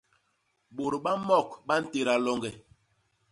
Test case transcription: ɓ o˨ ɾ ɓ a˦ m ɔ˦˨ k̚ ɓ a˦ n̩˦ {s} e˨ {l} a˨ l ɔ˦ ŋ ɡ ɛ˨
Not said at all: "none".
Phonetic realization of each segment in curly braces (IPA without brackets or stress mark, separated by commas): t, ɾ